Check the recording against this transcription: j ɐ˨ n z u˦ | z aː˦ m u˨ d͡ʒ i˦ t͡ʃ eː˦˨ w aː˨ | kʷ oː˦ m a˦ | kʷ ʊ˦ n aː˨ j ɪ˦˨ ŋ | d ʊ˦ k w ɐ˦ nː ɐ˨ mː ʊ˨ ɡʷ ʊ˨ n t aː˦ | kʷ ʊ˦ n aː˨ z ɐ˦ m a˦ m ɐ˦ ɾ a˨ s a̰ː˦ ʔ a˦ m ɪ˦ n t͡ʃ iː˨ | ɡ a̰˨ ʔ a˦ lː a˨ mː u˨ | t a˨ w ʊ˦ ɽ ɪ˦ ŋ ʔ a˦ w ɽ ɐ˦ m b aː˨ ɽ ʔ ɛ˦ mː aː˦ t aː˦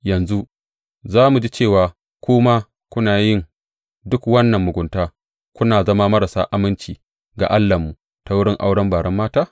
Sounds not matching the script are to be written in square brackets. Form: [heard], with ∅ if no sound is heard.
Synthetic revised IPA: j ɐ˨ n z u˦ | z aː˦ m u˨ d͡ʒ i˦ t͡ʃ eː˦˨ w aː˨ | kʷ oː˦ m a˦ | kʷ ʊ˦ n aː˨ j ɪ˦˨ ŋ | d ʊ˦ k w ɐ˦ nː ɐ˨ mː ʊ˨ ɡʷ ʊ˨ n t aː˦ | kʷ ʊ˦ n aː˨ z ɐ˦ m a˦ m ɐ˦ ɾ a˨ s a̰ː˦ ʔ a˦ m ɪ˦ n t͡ʃ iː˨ | ɡ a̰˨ ʔ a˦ lː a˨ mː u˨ | t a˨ w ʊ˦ ɽ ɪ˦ ŋ ʔ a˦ w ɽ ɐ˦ m b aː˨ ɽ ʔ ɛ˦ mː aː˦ t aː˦

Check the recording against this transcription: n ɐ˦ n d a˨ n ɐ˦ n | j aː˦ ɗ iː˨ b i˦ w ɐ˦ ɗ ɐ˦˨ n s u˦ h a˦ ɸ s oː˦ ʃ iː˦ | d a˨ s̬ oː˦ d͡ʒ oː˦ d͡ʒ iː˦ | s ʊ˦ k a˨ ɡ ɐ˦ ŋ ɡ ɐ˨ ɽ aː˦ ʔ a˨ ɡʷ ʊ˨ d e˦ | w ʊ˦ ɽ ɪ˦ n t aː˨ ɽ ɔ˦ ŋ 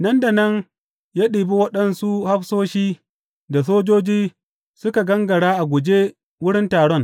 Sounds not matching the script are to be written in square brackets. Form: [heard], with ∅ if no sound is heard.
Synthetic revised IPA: n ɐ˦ n d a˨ n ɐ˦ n | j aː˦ ɗ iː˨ b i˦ w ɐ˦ ɗ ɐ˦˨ n s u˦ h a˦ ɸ s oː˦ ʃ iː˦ | d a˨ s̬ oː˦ d͡ʒ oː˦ d͡ʒ iː˦ | s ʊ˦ k a˨ ɡ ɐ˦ ŋ ɡ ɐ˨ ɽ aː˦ ʔ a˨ ɡʷ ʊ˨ [d͡ʒ] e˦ | w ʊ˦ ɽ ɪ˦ n t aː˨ ɽ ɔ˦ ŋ

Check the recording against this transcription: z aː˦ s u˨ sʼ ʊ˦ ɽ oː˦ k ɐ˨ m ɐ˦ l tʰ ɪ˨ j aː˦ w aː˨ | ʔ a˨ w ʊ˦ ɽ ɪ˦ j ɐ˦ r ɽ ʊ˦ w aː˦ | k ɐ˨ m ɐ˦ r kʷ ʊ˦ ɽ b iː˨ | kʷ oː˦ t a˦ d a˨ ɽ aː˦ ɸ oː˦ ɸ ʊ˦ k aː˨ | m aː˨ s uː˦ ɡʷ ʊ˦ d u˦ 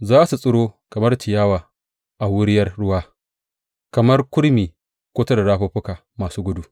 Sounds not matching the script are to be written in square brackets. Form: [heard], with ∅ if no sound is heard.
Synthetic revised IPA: z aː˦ s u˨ sʼ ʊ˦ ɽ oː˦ k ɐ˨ m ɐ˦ [r] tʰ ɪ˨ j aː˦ w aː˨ | ʔ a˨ w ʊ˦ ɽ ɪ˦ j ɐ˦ r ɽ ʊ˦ w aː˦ | k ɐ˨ m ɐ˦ r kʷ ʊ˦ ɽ [m] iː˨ | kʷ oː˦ t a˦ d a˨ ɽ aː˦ ɸ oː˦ ɸ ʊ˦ k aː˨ | m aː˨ s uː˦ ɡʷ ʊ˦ d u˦

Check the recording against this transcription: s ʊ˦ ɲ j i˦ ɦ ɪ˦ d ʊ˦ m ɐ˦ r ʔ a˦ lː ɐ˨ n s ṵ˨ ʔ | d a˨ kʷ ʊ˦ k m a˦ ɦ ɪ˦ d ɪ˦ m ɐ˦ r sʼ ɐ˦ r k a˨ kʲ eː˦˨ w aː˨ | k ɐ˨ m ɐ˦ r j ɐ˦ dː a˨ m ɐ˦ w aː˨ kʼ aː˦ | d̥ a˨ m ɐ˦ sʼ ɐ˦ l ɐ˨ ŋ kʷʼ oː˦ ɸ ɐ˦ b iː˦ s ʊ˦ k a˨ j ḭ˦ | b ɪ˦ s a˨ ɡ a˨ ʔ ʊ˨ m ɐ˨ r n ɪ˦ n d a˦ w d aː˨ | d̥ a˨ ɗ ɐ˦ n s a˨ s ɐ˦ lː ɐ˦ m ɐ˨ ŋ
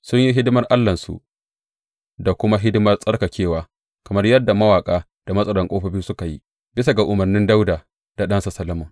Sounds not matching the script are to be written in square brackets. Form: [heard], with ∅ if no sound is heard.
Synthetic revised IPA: s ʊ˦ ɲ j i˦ ɦ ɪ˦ d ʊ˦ m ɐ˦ r ʔ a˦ lː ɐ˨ n s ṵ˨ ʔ | d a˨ kʷ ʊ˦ [∅] m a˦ ɦ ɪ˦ d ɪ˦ m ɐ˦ r sʼ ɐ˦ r k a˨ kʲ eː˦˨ w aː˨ | k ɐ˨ m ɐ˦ r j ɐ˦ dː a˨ m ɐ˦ w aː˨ kʼ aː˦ | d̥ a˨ m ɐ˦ sʼ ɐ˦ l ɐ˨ ŋ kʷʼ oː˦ ɸ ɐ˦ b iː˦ s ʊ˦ k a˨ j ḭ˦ | b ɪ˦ s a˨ ɡ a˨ ʔ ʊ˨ m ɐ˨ r n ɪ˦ n d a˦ w d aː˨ | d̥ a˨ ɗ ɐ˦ n s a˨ s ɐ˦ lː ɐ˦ m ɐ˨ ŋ

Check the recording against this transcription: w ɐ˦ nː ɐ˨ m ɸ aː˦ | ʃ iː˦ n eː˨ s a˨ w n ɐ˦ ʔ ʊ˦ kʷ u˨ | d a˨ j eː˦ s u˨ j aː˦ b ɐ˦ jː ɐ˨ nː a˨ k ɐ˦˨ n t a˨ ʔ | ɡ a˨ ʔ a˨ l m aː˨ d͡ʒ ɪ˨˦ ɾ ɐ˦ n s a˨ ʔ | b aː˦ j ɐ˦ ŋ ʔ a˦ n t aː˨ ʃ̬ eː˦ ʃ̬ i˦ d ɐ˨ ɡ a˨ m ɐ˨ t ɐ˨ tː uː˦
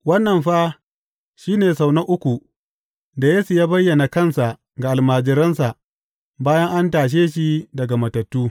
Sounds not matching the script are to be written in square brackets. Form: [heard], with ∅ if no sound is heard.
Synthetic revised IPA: w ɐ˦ nː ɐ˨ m ɸ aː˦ | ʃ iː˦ n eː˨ s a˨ w n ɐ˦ ʔ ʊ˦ kʷ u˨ | d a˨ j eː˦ s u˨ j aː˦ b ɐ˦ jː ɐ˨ [n] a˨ k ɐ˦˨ n [s] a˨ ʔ | ɡ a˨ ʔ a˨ l m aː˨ d͡ʒ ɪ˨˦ ɾ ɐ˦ n s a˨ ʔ | b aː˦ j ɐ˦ ŋ ʔ a˦ n t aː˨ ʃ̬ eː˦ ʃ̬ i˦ d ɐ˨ ɡ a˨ m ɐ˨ t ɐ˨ tː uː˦

